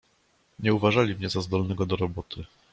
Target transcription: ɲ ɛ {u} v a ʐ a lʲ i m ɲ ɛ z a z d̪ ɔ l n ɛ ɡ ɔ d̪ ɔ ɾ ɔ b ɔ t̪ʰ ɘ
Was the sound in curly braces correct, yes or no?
yes